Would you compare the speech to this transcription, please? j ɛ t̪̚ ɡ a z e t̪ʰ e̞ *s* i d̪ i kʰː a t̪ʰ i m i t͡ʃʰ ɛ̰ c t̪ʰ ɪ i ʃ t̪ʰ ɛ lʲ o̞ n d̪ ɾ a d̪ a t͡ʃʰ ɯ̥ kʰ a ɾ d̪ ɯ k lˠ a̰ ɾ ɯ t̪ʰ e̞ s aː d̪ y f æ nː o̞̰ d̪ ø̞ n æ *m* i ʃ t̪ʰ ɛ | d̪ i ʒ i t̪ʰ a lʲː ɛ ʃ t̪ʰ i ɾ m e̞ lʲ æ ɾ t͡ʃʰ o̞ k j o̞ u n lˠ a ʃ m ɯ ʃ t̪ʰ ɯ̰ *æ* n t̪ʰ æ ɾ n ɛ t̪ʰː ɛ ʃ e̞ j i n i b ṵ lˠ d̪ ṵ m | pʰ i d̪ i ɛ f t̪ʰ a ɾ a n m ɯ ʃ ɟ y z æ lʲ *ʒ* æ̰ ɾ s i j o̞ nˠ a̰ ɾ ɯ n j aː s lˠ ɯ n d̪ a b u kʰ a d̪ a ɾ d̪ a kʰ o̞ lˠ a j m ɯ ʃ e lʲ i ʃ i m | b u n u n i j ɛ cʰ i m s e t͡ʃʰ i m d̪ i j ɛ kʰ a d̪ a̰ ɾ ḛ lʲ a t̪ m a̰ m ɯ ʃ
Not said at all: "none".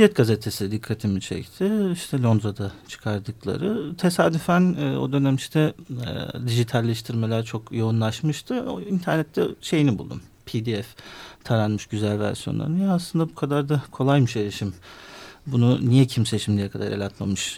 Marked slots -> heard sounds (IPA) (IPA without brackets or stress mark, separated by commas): s, m, i, v